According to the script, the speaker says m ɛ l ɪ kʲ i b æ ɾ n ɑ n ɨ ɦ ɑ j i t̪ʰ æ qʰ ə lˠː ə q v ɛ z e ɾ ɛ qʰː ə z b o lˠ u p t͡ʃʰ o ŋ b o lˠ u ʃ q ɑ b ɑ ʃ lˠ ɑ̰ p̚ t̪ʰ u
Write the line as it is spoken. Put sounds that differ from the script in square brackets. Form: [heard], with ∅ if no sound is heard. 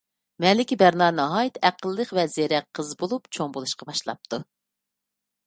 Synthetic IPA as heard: m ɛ l ɪ kʲ i b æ ɾ n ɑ n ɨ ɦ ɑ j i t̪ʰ æ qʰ ə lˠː ə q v ɛ z e ɾ ɛ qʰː ə z b o lˠ u p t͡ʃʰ o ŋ b o lˠ u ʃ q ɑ b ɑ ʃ lˠ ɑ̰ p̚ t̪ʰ u

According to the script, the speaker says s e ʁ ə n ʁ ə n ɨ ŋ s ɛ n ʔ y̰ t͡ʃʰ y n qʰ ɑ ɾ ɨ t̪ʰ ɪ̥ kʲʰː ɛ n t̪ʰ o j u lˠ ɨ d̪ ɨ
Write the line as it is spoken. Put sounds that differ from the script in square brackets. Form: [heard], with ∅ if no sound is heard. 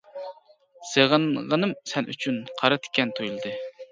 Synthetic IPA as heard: s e ʁ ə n ʁ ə n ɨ [m] s ɛ n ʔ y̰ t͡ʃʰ y n qʰ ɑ ɾ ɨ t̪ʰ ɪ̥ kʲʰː ɛ n t̪ʰ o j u lˠ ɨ d̪ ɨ

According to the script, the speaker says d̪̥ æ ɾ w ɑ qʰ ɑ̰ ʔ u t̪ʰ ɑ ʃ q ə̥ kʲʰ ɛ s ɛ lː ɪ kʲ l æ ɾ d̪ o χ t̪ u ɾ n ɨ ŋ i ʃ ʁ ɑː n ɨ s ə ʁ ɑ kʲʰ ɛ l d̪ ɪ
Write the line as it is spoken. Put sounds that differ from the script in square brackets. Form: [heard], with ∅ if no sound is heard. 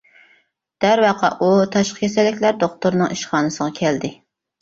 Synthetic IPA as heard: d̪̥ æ ɾ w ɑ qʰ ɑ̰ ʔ u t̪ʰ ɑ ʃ q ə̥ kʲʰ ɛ s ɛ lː ɪ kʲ l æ ɾ d̪ o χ t̪ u ɾ n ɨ ŋ i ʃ [χ] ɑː n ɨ s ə ʁ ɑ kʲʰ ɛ l d̪ ɪ

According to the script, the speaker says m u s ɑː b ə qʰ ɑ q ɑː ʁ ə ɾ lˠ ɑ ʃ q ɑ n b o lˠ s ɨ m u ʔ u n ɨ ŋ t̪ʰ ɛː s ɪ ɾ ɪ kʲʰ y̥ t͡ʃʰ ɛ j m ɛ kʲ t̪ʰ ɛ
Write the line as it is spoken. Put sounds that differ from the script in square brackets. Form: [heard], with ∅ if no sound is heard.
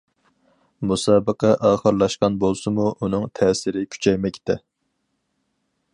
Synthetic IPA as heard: m u s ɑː b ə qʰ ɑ [ʔ] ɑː [χ] ə ɾ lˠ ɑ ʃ q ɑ n b o lˠ s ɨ m u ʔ u n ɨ ŋ t̪ʰ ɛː s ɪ ɾ ɪ kʲʰ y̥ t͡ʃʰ ɛ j m ɛ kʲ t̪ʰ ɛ

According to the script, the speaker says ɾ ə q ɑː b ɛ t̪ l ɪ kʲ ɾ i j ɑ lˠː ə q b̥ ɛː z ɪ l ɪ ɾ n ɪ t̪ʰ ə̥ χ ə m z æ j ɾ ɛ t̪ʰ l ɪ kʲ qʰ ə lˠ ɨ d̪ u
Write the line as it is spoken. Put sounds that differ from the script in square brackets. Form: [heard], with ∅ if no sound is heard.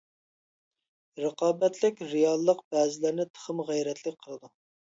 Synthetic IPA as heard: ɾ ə q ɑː b ɛ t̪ l ɪ kʲ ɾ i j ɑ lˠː ə q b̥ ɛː z ɪ l ɪ ɾ n ɪ t̪ʰ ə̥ χ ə m [ʁ] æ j ɾ ɛ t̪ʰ l ɪ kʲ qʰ ə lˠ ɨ d̪ u

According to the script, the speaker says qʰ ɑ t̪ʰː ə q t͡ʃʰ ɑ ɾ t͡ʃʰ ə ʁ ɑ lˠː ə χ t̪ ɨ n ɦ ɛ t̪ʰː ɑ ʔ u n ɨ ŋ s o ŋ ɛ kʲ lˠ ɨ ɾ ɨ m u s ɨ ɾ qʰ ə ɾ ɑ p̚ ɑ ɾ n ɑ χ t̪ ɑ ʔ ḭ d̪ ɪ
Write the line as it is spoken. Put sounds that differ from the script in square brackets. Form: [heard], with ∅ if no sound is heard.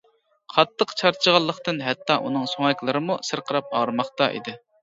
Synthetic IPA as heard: qʰ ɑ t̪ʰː ə q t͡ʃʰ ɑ ɾ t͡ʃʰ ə ʁ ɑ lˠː ə χ t̪ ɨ n ɦ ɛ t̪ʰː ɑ ʔ u n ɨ ŋ s o ŋ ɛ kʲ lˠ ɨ ɾ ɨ m u s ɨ ɾ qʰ ə ɾ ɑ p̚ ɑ ɾ [m] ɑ χ t̪ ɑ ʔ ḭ d̪ ɪ

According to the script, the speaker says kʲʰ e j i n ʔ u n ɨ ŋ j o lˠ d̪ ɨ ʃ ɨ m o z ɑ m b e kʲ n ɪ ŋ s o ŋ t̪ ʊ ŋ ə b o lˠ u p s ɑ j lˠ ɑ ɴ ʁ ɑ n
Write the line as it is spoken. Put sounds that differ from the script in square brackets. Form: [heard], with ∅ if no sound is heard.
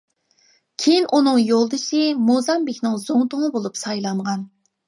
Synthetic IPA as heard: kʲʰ e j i n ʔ u n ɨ ŋ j o lˠ d̪ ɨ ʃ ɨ m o z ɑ m b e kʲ n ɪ ŋ [z] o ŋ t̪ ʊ ŋ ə b o lˠ u p s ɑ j lˠ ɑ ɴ ʁ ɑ n

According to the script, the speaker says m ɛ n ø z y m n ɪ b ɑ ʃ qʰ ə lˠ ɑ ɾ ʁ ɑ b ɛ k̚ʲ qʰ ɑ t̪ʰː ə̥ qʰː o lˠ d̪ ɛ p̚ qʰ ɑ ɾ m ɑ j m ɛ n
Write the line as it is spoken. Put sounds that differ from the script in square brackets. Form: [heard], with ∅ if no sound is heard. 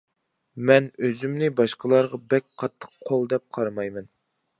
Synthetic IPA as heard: m ɛ n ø z y m n ɪ b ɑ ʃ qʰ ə lˠ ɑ ɾ ʁ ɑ b ɛ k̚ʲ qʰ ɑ t̪ʰː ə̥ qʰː o lˠ d̪ ɛ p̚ qʰ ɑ ɾ m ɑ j m ɛ n

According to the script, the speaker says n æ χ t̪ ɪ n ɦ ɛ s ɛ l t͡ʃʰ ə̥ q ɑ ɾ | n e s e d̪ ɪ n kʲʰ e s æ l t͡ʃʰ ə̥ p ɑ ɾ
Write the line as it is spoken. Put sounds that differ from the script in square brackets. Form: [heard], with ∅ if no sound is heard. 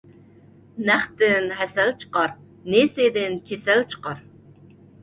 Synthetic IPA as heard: n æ χ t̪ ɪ n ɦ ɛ s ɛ l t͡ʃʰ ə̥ q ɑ ɾ | n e s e d̪ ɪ n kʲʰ e s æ l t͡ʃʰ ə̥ [q] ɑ ɾ

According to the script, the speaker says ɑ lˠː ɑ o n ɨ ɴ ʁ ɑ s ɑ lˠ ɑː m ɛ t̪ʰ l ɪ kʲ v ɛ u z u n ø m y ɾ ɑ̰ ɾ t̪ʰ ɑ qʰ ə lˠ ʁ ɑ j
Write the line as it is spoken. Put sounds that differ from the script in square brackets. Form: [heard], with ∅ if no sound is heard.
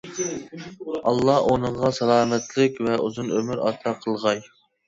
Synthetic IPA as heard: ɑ lˠː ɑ o n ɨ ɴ ʁ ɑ s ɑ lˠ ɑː m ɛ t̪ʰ l ɪ kʲ v ɛ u z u n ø m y ɾ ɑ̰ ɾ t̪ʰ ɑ qʰ ə lˠ ʁ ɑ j

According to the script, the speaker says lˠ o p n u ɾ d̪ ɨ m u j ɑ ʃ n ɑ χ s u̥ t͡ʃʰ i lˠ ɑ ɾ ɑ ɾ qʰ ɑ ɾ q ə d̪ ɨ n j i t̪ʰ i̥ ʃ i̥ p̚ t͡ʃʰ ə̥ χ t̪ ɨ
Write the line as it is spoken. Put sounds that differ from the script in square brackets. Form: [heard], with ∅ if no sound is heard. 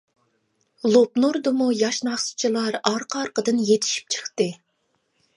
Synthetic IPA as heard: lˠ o p n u ɾ d̪ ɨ m u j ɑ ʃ n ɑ χ s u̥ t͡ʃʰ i lˠ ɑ ɾ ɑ ɾ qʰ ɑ ɾ q ə d̪ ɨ n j [e] t̪ʰ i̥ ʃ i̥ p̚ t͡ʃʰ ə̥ χ t̪ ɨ

